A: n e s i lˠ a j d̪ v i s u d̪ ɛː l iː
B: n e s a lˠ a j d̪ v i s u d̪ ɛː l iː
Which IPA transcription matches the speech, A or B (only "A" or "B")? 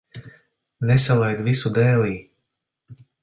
B